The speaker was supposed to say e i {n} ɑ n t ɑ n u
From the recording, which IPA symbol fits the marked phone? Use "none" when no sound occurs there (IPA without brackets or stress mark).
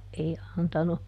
none